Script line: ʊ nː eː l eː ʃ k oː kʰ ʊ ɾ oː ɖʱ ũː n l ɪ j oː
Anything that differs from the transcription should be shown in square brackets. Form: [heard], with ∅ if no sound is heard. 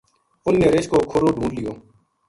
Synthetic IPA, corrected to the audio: ʊ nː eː [ɾ] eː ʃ k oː kʰ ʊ ɾ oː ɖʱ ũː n l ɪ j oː